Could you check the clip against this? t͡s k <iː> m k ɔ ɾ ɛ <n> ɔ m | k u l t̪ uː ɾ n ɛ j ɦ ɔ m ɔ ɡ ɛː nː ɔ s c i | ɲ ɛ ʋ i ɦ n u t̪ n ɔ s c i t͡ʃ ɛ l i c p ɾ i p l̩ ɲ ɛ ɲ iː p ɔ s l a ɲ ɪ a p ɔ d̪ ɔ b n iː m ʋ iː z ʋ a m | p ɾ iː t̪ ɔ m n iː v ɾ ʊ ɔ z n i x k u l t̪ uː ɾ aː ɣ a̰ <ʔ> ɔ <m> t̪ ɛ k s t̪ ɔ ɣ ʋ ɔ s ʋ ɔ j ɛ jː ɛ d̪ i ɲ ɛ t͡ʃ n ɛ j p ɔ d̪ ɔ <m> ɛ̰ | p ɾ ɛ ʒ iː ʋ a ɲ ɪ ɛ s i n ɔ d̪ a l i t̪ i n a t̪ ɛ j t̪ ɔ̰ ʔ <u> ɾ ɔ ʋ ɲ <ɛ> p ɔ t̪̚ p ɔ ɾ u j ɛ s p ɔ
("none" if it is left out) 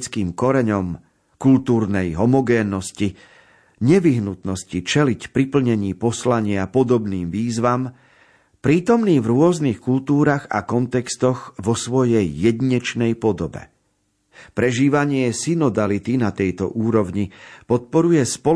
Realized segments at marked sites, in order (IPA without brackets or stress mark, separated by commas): iː, ɲ, k, n, b, uː, i